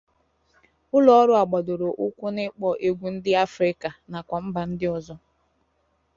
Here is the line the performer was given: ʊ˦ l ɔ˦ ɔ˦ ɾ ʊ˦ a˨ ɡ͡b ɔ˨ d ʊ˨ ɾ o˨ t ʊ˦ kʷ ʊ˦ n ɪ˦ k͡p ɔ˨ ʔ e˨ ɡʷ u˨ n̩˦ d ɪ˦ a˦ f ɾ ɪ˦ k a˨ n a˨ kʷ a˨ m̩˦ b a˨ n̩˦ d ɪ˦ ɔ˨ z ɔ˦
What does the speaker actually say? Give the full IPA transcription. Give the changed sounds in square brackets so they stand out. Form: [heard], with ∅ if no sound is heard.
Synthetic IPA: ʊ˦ l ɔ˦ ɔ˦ ɾ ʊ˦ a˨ ɡ͡b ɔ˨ d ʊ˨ ɾ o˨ [ʔ] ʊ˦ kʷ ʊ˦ n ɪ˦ k͡p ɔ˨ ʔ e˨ ɡʷ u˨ n̩˦ d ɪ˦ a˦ f ɾ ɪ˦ k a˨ n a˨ kʷ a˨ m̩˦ b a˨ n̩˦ d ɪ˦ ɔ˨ z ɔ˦